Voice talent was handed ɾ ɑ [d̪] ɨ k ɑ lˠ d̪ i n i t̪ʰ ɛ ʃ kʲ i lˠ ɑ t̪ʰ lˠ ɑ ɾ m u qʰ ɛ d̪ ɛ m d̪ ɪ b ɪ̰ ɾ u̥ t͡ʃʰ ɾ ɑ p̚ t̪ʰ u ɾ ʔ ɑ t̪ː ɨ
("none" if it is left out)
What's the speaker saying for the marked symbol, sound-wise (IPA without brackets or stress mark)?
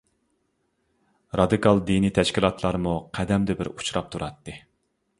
d̪